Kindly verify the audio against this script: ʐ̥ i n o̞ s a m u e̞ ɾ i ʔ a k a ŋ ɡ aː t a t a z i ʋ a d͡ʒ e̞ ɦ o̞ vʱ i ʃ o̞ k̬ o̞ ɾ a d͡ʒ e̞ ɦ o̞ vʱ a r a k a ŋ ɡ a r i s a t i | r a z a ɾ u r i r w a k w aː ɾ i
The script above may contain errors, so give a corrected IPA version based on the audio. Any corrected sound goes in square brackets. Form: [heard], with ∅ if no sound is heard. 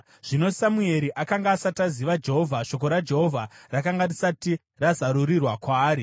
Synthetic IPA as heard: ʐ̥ i n o̞ s a m u e̞ ɾ i ʔ a k a ŋ ɡ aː [s] a t a z i ʋ a d͡ʒ e̞ ɦ o̞ vʱ [a] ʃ o̞ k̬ o̞ ɾ a d͡ʒ e̞ ɦ o̞ vʱ a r a k a ŋ ɡ a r i s a t i | r a z a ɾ u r i r w a k w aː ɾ i